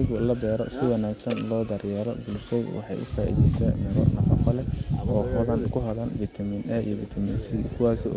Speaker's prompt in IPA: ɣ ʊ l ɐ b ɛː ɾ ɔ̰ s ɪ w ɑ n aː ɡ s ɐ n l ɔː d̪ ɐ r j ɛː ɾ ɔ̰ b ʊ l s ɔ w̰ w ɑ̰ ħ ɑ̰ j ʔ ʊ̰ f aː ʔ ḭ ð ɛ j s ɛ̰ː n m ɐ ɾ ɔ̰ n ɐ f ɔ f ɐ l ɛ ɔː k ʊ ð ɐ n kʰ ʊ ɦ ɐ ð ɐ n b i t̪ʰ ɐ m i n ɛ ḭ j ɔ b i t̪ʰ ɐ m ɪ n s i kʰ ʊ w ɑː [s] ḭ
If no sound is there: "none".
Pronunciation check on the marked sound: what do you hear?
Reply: s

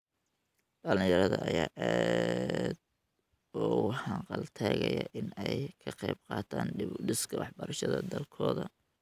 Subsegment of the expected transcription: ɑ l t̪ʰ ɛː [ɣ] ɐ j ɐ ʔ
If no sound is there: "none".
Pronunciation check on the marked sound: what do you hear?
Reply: ɣ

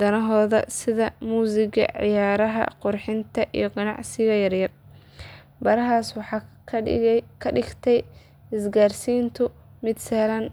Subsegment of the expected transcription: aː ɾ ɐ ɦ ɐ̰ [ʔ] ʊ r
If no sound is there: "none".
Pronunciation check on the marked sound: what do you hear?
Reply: q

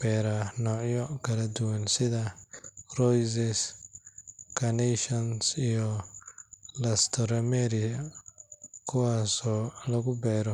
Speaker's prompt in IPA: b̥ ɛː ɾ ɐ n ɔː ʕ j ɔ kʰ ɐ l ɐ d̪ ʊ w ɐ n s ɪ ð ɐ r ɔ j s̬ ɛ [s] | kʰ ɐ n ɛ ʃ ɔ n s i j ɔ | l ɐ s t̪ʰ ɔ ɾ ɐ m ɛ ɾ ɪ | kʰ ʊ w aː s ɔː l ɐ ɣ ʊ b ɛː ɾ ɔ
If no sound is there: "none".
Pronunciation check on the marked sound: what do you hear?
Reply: s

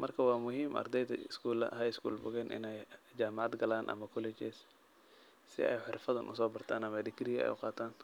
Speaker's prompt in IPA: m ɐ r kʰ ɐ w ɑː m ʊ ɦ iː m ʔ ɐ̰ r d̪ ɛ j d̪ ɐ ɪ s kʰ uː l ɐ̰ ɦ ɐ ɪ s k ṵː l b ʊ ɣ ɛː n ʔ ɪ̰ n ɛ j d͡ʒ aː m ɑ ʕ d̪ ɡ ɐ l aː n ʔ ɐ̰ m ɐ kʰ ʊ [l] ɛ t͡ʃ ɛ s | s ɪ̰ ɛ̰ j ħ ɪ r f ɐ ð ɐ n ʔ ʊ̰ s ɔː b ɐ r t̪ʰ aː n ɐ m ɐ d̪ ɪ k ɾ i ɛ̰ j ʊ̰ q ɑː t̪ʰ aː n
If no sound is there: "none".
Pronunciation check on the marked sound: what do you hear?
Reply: l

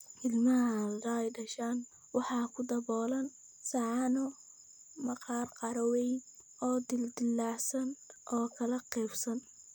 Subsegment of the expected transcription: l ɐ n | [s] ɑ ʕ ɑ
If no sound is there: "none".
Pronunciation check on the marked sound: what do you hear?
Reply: s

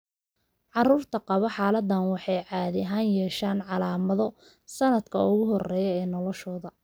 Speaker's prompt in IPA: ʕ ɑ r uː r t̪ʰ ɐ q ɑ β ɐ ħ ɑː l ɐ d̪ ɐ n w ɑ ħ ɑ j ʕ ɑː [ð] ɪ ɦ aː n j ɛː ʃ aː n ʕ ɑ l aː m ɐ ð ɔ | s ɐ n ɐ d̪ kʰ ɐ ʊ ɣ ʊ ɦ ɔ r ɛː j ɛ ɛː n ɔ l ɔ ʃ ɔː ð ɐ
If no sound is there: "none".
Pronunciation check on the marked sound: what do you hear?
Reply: ð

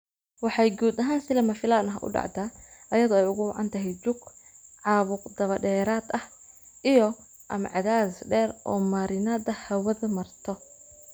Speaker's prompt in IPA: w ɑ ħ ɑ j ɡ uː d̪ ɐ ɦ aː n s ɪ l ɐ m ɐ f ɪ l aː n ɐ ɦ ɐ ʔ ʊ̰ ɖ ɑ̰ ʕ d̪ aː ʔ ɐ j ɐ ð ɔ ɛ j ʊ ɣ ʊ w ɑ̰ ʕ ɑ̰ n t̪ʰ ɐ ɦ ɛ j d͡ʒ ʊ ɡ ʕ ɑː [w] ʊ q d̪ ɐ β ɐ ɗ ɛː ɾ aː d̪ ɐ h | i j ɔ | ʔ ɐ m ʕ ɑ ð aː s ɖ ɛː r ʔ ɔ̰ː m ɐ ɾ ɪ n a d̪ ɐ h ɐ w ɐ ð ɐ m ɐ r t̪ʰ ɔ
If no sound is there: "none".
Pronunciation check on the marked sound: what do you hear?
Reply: β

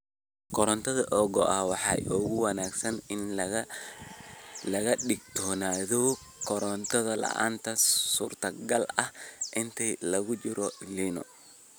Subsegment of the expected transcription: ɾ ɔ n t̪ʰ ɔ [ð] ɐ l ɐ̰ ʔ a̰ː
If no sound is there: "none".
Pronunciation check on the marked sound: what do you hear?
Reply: ð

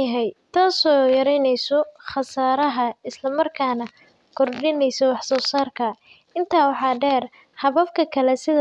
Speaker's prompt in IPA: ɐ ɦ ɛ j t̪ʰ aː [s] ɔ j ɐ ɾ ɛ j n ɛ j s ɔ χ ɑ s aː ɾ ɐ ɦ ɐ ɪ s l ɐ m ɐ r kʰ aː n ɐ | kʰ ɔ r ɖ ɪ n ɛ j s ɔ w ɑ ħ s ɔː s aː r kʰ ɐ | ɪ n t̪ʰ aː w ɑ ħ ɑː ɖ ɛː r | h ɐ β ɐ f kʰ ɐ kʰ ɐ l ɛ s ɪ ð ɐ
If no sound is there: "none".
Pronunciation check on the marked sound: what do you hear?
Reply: s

